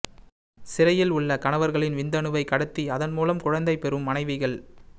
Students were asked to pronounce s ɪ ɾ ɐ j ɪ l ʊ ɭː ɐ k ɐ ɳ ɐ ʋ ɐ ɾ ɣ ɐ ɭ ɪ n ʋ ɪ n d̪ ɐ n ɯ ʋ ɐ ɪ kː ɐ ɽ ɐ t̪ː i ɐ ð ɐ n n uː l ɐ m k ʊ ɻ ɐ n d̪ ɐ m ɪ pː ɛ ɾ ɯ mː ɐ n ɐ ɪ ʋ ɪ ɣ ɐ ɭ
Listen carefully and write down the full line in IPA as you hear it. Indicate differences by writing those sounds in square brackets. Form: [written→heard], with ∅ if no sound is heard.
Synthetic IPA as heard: s ɪ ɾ ɐ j ɪ l ʊ ɭː ɐ k ɐ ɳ ɐ ʋ ɐ ɾ ɣ ɐ ɭ ɪ n ʋ ɪ n d̪ ɐ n ɯ ʋ ɐ ɪ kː ɐ ɽ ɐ t̪ː i ɐ ð ɐ n [n→m] uː l ɐ m k ʊ ɻ ɐ n d̪ ɐ [m→∅] ɪ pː ɛ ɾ ɯ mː ɐ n ɐ ɪ ʋ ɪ ɣ ɐ ɭ